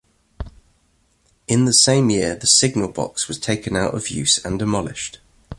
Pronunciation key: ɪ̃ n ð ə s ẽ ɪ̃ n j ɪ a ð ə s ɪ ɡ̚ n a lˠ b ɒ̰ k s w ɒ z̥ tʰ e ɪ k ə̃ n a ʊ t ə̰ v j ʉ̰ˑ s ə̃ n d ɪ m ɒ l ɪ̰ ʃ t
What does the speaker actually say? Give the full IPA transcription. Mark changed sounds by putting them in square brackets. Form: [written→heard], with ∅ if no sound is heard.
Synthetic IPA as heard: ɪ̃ n ð ə s ẽ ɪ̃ [n→m] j ɪ [a→ə] ð ə s ɪ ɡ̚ n [a→ə] lˠ b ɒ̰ k s w ɒ z̥ tʰ e ɪ k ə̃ n a ʊ t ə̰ v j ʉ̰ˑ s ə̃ n d ɪ m ɒ l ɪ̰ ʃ t